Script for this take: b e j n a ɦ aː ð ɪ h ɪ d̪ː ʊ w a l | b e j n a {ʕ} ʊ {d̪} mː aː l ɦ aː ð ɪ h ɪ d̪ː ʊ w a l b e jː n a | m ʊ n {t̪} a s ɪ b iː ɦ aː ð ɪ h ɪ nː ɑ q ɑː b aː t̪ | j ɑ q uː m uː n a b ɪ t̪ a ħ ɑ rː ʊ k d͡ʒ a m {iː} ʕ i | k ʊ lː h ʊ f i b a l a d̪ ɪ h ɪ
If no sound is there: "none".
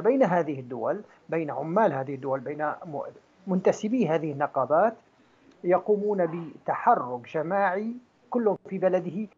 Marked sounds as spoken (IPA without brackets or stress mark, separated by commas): ʕ, none, t̪, aː